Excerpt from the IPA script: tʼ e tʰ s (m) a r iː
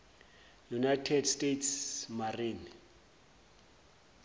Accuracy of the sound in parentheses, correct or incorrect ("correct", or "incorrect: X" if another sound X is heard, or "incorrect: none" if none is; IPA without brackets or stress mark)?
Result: correct